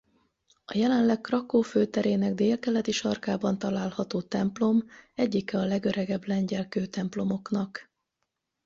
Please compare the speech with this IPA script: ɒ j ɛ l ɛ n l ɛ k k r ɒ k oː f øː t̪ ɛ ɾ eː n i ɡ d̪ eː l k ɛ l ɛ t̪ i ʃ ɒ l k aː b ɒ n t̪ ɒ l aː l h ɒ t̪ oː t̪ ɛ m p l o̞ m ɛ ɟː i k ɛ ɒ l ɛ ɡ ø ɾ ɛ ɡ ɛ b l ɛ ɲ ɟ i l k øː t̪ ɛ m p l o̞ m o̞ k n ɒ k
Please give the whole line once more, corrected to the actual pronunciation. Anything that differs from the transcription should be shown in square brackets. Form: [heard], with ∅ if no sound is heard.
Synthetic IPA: ɒ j ɛ l ɛ n l ɛ k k r ɒ k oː f øː t̪ ɛ ɾ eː n [ɛ] ɡ d̪ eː l k ɛ l ɛ t̪ i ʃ ɒ [r] k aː b ɒ n t̪ ɒ l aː l h ɒ t̪ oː t̪ ɛ m p l o̞ m ɛ ɟː i k ɛ ɒ l ɛ ɡ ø ɾ ɛ ɡ ɛ b l ɛ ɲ ɟ [ɛ] l k øː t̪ ɛ m p l o̞ m o̞ k n ɒ k